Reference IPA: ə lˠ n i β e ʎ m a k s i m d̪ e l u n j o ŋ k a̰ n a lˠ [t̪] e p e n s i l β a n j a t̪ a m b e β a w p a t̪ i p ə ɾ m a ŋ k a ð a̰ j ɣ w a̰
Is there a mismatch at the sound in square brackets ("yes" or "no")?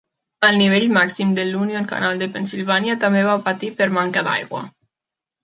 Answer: yes